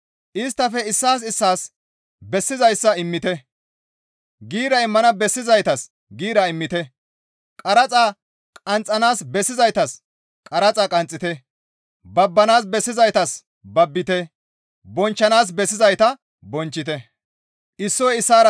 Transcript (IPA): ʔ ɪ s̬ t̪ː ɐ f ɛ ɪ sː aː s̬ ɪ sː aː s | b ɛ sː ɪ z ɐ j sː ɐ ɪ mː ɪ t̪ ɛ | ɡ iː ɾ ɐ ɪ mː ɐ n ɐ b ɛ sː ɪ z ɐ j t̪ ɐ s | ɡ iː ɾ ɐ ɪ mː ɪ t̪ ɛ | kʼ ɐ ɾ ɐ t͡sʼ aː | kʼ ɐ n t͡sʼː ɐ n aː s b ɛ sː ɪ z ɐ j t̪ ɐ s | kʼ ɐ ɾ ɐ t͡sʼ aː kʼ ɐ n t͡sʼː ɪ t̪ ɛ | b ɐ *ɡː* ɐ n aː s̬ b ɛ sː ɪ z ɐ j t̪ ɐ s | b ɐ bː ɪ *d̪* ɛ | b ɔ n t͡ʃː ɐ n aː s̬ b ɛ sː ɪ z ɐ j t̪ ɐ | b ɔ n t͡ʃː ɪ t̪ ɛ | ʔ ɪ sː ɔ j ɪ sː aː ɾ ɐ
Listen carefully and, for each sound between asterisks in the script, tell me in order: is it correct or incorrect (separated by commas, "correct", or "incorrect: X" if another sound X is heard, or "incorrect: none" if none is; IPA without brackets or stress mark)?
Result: incorrect: bː, incorrect: t̪